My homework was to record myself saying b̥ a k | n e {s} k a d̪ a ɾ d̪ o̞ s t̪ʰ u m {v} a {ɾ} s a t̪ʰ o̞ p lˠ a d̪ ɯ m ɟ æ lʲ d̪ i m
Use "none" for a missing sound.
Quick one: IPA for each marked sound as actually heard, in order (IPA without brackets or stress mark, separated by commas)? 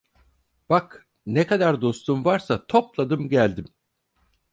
none, v, ɾ